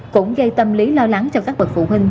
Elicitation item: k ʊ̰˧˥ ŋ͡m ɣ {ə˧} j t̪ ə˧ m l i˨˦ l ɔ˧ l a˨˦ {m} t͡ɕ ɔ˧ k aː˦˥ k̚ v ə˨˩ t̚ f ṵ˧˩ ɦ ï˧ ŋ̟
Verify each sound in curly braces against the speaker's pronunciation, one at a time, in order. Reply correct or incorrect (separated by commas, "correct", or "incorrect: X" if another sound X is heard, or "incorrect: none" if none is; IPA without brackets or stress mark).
correct, incorrect: ŋ